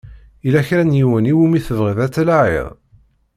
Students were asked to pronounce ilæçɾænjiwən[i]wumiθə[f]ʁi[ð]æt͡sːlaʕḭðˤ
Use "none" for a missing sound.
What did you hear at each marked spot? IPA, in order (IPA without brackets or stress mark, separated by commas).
i, v, ð